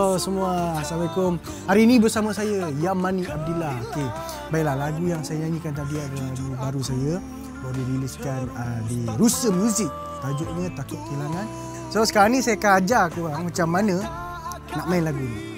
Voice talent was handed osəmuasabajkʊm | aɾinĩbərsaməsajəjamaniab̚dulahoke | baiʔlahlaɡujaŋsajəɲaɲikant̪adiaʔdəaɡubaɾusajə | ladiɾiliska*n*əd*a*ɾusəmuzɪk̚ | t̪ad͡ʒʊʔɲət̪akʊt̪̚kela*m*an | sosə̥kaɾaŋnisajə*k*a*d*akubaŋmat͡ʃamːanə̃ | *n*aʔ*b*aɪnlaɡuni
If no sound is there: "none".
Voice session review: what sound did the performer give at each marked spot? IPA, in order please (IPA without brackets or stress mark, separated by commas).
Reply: n, i, ŋ, k, d͡ʒ, n, m